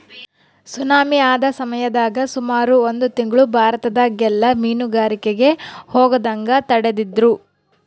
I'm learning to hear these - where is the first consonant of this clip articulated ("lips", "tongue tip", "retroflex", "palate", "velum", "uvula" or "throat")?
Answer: tongue tip